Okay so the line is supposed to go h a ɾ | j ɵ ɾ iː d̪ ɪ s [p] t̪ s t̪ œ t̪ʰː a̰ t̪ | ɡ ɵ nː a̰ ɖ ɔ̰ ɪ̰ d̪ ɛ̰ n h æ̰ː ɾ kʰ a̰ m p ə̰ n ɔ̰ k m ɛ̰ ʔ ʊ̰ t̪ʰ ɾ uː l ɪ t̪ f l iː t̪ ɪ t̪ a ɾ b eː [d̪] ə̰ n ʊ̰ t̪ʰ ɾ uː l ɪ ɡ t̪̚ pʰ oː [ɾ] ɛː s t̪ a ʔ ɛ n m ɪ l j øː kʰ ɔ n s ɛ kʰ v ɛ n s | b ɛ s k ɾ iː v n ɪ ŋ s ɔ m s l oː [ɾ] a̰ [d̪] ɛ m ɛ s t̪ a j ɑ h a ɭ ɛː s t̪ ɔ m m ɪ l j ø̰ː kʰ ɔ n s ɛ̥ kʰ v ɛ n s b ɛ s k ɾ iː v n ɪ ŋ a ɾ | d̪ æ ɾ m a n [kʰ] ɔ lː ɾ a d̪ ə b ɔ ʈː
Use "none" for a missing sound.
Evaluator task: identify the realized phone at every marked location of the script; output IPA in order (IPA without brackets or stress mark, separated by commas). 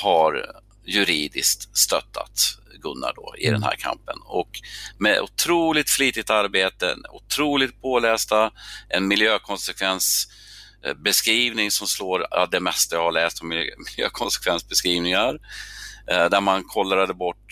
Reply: k, t̪, l, ɾ, d̪, kʰ